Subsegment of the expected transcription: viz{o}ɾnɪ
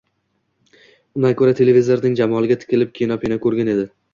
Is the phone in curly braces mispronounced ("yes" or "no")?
no